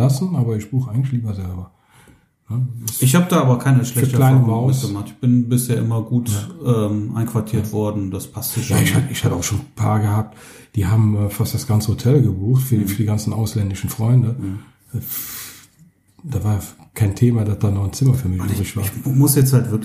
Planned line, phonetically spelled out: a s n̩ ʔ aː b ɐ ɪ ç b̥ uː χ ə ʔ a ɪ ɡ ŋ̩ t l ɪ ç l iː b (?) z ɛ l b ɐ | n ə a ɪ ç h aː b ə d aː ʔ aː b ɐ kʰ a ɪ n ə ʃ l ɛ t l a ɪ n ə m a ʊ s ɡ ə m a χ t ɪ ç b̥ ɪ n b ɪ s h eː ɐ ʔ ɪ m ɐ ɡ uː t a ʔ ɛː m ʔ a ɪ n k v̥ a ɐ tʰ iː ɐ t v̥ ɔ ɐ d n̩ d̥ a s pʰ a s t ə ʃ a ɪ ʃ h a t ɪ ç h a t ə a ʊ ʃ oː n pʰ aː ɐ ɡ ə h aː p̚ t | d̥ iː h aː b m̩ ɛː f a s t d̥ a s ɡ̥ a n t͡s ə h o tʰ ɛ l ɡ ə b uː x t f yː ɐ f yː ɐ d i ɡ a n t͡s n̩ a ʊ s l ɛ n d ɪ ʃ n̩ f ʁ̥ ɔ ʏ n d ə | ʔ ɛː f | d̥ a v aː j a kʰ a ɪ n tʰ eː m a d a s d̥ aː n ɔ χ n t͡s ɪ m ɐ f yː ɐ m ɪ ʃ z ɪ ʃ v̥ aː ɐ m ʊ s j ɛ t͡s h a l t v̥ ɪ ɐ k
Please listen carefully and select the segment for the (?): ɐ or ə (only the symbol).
ɐ